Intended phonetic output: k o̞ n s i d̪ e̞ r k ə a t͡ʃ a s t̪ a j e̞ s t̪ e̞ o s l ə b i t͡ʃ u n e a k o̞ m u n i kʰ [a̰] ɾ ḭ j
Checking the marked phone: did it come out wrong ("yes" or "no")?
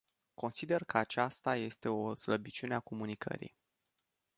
yes